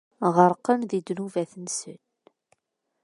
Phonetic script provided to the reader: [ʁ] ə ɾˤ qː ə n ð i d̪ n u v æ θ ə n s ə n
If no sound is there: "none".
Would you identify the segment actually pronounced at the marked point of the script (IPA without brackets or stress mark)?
ʁ